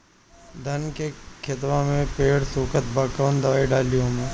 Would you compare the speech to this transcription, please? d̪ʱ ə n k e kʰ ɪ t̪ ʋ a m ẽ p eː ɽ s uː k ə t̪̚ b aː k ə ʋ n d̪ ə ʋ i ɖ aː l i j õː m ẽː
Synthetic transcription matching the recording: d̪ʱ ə n k e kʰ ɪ t̪ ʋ a m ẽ p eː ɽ s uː k ə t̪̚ b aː k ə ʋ n d̪ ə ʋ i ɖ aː l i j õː m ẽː

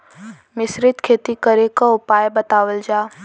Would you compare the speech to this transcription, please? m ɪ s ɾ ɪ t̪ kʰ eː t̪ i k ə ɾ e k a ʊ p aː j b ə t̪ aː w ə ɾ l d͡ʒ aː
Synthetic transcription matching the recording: m ɪ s ɾ ɪ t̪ kʰ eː t̪ i k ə ɾ e k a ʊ p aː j b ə t̪ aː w ə l d͡ʒ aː

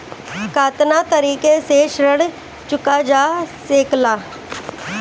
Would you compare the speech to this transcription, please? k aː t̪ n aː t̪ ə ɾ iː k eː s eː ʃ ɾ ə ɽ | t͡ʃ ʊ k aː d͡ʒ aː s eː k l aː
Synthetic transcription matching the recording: k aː t̪ n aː t̪ ə ɾ iː k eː s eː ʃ ɾ ə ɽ | t͡ʃ ʊ k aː d͡ʒ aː s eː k l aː

